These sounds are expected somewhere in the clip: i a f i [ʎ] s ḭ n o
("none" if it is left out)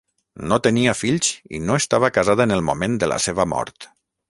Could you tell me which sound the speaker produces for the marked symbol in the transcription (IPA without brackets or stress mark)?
ʎ